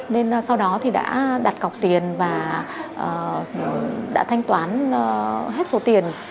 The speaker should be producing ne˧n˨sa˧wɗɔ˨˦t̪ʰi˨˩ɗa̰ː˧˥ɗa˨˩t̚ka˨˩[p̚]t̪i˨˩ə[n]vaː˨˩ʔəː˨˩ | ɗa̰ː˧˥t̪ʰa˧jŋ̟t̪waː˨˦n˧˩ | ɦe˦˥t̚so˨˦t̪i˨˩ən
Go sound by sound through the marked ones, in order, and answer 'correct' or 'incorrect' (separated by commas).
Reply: incorrect, correct